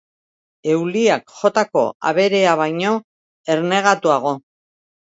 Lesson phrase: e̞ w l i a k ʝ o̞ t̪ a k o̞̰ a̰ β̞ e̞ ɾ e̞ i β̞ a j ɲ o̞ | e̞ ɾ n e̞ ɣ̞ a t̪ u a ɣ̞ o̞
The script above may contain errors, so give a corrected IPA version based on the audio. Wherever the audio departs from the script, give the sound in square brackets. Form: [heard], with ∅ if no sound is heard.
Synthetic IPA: e̞ w l i a k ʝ o̞ t̪ a k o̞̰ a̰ β̞ e̞ ɾ e̞ [a] β̞ a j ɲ o̞ | e̞ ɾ n e̞ ɣ̞ a t̪ u a ɣ̞ o̞